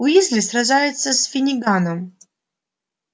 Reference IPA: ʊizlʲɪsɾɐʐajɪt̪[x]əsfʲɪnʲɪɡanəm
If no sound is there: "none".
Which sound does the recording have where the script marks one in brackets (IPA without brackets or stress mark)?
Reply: s